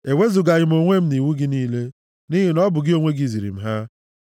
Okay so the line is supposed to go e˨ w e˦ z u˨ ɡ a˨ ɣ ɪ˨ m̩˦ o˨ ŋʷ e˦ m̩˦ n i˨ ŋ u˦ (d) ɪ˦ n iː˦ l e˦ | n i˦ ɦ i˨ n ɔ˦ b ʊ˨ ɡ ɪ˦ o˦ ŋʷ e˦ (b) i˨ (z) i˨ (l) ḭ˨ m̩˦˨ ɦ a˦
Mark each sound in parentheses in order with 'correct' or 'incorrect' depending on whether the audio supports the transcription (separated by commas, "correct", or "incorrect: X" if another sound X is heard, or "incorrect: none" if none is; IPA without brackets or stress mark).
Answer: incorrect: ɡ, incorrect: ɡ, correct, incorrect: ɾ